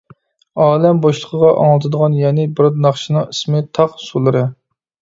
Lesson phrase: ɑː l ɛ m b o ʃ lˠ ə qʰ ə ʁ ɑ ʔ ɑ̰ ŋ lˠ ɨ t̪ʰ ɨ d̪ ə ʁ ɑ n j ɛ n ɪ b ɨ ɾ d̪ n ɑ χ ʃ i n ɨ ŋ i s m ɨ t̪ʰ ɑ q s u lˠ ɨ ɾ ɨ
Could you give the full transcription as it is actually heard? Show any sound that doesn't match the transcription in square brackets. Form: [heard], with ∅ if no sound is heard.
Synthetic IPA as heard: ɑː l ɛ m b o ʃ lˠ ə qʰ ə ʁ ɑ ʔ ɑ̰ ŋ lˠ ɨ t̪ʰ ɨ d̪ ə ʁ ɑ n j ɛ n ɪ b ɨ ɾ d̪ n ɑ χ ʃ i n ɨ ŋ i s m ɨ t̪ʰ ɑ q s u lˠ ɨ ɾ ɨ